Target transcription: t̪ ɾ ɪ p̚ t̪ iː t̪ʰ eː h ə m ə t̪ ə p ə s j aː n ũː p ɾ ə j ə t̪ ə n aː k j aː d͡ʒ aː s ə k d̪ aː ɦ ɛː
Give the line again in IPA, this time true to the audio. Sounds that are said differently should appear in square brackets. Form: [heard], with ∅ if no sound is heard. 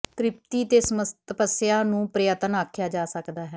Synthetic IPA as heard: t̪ ɾ ɪ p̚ t̪ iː [t̪] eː [s] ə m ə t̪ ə p ə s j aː n ũː p ɾ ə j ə t̪ ə n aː [kʰ] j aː d͡ʒ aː s ə k d̪ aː ɦ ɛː